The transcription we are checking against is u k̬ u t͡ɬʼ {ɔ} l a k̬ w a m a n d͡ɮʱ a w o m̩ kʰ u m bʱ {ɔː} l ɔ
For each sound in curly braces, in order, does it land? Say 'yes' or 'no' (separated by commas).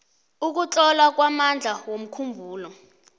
yes, no